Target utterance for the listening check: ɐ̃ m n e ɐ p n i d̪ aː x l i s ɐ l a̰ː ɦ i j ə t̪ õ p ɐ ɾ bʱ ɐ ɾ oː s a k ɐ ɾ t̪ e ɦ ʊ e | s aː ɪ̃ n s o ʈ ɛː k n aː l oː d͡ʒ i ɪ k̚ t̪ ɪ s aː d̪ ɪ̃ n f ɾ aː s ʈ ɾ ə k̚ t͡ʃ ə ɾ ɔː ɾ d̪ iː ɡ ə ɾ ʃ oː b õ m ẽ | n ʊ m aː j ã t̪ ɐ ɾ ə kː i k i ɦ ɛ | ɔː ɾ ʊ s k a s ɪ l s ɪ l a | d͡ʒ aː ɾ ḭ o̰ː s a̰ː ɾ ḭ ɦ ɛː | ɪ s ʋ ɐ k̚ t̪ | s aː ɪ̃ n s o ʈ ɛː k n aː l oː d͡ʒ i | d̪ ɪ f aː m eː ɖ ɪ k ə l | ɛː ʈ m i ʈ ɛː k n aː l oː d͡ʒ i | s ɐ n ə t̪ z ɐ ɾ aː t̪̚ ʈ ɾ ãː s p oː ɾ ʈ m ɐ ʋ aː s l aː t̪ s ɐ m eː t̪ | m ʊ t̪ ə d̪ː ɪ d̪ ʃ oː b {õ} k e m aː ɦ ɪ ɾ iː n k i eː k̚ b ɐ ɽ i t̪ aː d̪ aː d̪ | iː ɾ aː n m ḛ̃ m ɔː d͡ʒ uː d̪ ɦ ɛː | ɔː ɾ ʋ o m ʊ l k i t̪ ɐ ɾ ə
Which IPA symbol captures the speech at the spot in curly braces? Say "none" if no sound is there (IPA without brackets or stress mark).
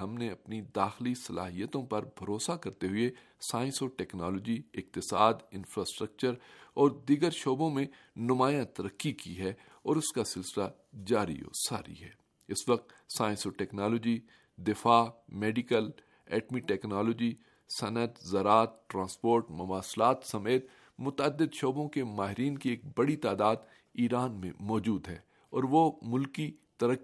õ